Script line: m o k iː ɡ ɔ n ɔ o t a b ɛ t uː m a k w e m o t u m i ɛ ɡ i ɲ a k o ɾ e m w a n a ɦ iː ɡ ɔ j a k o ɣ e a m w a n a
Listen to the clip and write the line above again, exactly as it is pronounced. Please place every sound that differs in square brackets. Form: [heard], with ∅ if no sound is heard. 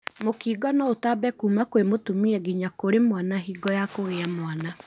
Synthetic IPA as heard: m o k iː ɡ ɔ n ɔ o t a b ɛ [k] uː m a k w e m o t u m i ɛ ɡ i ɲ a k o ɾ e m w a n a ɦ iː ɡ ɔ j a k o ɣ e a m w a n a